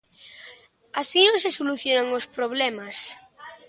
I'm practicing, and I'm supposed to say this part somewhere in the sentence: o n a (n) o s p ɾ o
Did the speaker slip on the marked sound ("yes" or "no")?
yes